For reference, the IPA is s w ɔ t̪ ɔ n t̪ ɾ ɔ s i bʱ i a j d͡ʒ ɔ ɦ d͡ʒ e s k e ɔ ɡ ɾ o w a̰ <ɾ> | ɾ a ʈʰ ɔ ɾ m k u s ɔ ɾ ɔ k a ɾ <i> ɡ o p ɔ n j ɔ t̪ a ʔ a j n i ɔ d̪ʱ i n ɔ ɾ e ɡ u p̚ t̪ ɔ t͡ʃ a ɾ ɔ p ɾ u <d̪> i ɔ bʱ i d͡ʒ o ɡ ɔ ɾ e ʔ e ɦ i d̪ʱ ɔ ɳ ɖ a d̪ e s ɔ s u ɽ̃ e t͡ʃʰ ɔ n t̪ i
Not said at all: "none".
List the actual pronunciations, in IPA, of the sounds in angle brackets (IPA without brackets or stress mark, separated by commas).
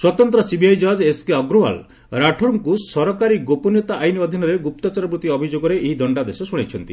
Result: l, i, t̪